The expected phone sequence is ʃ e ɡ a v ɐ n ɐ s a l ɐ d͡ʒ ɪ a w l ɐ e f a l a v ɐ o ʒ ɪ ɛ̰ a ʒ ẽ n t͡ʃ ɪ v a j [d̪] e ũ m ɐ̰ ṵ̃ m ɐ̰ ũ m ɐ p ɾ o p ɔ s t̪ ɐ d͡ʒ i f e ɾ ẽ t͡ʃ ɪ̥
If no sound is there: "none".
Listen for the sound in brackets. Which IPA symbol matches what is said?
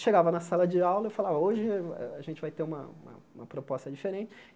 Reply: t̪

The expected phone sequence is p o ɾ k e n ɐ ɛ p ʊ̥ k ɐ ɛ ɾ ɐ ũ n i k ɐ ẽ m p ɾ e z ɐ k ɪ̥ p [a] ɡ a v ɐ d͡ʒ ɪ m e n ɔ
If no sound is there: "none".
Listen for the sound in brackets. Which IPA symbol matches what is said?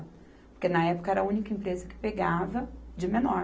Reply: e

